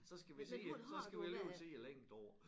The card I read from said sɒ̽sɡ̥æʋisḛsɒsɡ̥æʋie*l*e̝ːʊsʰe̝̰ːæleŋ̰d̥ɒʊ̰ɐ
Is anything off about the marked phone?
no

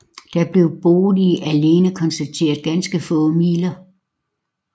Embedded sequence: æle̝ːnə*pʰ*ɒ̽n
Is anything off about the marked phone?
yes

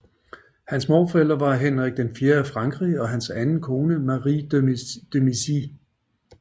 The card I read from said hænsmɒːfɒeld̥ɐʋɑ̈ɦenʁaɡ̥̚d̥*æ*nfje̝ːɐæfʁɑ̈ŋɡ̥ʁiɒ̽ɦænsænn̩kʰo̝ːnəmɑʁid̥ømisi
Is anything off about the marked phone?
yes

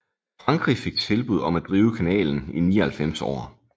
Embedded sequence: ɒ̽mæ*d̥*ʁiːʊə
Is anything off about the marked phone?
no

